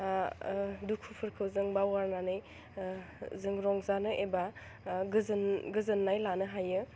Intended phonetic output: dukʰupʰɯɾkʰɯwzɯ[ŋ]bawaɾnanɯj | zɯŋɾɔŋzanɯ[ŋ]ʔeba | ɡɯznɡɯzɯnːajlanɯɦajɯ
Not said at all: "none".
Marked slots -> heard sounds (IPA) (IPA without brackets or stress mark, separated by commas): ŋ, none